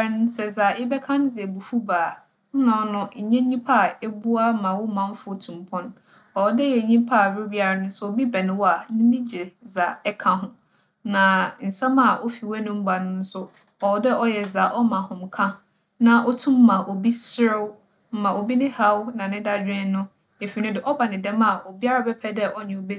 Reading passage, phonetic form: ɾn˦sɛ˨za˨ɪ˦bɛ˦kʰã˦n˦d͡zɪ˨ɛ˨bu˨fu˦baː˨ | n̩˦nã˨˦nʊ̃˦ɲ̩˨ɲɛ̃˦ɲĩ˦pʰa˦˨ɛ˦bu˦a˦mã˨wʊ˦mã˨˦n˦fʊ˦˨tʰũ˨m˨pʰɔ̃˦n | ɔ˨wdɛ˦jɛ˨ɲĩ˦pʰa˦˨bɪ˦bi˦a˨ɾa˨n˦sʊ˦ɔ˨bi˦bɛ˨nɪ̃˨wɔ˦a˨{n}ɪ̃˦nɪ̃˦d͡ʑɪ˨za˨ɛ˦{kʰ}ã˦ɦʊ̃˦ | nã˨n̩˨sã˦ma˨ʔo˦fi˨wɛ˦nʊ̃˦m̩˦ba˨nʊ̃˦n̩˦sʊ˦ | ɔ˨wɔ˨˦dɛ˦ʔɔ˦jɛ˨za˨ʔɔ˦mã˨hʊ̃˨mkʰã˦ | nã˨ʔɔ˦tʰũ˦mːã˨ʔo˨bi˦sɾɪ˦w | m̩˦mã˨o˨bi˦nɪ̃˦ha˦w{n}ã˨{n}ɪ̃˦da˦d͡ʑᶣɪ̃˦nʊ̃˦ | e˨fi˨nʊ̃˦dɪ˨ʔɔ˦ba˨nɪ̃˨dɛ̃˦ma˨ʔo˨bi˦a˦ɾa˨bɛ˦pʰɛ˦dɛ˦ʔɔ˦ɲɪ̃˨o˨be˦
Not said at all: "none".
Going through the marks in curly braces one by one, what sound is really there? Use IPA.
n, kʰ, n, n

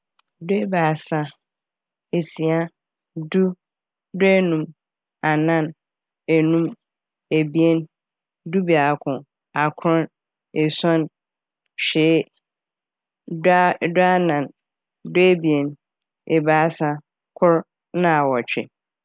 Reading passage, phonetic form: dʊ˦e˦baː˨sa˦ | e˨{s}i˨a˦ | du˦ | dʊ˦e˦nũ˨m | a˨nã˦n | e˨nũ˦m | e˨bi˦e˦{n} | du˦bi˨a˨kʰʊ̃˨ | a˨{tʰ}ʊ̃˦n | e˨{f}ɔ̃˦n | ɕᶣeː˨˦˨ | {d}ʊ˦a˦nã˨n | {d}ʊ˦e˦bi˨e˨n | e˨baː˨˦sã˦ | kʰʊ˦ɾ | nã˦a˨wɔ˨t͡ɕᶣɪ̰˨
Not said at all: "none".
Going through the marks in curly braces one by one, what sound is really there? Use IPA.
s, n, kʰ, s, d, d

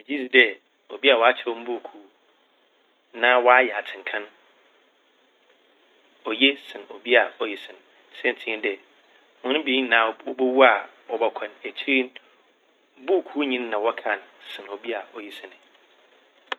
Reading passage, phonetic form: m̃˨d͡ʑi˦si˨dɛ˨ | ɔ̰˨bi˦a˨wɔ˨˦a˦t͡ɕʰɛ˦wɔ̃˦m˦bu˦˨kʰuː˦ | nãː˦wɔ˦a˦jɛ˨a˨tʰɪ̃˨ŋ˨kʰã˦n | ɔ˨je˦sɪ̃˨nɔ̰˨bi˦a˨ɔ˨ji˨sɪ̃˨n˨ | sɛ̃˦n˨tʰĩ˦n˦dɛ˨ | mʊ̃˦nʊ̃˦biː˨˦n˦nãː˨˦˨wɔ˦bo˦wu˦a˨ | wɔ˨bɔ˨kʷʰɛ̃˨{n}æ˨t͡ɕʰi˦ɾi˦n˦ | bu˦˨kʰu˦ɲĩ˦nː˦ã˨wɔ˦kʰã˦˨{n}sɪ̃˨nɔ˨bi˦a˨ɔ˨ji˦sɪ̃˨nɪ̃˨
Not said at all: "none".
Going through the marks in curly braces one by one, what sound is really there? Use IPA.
n, n

